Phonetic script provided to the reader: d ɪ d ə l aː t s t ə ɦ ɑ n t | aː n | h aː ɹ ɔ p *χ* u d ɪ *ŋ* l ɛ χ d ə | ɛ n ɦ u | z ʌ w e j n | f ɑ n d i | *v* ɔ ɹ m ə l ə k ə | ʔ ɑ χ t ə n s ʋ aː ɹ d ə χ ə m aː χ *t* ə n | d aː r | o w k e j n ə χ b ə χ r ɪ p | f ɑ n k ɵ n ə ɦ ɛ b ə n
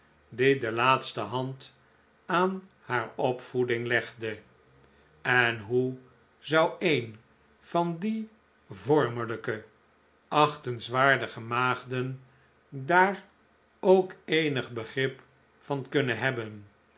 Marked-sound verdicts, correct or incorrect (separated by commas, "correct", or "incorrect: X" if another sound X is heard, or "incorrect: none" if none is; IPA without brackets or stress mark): incorrect: f, correct, correct, incorrect: d